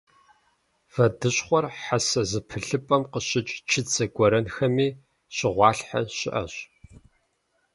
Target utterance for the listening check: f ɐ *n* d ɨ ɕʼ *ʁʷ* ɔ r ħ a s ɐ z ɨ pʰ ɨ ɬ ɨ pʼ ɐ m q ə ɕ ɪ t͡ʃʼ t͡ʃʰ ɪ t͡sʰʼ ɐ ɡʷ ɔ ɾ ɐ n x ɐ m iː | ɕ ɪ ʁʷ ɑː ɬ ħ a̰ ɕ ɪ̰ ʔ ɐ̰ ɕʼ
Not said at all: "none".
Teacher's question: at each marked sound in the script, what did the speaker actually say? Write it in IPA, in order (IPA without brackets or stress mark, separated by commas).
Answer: none, χʷ